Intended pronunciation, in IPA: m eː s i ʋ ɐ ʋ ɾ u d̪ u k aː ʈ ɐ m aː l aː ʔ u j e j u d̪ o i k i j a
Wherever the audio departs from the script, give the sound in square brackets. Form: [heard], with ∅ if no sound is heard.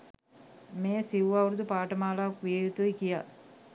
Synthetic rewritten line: m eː s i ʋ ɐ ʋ ɾ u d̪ u [p] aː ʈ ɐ m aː l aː [k] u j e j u [t̪] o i k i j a